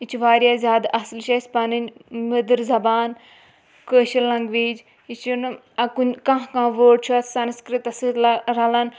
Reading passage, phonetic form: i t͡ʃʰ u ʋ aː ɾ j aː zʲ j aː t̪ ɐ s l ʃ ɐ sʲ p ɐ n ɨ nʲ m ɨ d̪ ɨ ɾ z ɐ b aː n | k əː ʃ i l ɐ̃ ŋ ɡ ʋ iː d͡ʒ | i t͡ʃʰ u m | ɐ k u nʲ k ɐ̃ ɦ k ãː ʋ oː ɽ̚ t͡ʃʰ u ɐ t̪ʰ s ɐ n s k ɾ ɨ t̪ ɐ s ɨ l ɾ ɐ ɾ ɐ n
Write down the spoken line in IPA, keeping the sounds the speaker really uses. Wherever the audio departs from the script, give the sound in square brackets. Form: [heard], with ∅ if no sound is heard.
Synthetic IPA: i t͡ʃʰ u ʋ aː ɾ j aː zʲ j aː [d̪] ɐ s l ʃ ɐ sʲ p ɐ n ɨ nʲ m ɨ d̪ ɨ ɾ z ɐ b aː n | k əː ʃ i l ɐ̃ ŋ ɡ ʋ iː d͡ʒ | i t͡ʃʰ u [n] | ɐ k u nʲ k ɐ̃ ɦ k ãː ʋ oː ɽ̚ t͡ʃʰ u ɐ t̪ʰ s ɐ n s k ɾ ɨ t̪ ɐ s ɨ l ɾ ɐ [l] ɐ n